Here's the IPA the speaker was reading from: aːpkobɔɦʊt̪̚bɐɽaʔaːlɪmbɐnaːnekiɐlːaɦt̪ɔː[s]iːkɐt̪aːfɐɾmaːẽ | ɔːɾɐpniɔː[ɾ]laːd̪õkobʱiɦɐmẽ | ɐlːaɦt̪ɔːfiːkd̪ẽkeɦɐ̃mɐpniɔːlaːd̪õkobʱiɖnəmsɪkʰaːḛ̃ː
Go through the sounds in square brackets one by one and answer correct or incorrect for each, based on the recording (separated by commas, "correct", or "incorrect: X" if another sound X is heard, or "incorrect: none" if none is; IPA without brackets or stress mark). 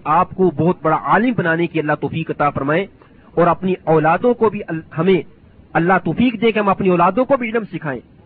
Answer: incorrect: f, incorrect: none